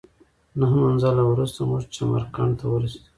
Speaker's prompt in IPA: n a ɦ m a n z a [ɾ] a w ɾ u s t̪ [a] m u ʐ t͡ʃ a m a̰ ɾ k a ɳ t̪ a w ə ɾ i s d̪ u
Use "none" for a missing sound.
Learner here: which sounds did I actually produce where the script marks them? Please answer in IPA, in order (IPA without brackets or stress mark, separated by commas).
l, a